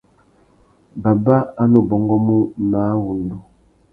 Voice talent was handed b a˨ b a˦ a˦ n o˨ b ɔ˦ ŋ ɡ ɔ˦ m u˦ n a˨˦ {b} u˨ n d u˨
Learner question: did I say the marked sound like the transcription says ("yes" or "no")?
no